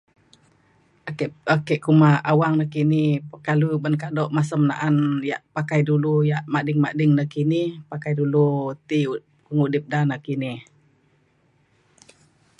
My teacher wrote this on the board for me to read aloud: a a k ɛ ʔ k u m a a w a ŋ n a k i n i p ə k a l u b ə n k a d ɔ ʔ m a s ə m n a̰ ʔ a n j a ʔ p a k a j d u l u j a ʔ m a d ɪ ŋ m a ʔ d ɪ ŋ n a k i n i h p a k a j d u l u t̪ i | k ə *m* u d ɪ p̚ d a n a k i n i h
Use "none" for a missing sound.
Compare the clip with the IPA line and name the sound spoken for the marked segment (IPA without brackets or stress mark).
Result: ŋ